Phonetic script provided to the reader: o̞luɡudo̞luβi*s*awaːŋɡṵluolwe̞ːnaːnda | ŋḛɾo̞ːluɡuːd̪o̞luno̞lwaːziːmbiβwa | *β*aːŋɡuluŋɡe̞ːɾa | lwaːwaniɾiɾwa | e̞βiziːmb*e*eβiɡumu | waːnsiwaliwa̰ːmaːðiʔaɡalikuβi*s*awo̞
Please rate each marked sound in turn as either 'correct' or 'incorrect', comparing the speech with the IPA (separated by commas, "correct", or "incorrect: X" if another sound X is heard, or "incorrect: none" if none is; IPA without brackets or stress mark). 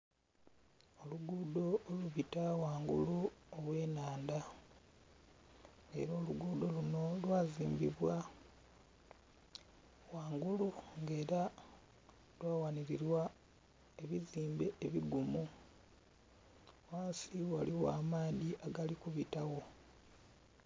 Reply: incorrect: t, incorrect: w, correct, incorrect: t